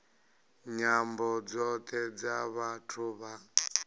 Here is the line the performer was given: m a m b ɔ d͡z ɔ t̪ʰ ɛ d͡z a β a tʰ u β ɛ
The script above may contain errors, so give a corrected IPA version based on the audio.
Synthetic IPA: ɲ a m b ɔ d͡z ɔ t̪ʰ ɛ d͡z a β a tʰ u β a